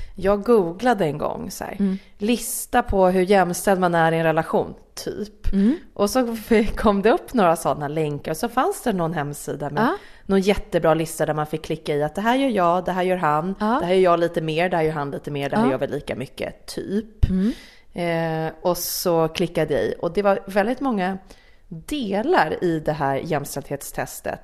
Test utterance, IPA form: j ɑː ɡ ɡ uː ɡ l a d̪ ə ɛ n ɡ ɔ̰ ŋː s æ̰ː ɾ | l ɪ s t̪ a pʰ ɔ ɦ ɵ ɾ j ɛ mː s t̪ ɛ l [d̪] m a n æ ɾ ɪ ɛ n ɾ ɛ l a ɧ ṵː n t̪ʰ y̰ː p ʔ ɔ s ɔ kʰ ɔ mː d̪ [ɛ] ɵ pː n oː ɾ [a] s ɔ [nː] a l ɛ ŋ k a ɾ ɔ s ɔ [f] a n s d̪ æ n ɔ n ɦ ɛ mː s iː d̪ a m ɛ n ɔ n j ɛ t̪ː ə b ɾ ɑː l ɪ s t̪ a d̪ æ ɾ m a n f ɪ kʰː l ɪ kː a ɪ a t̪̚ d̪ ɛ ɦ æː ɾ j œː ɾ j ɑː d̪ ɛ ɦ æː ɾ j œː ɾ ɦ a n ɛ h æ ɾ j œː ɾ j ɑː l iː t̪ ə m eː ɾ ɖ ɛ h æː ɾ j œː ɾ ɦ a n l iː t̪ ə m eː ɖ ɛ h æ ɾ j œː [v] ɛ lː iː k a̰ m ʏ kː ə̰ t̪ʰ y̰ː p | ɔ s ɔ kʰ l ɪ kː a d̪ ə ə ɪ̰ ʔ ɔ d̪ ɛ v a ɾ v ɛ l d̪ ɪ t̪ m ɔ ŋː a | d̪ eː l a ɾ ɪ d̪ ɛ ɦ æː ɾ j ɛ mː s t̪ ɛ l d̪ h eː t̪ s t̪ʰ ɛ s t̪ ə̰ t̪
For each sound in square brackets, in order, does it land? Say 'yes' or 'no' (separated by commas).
yes, yes, yes, yes, yes, yes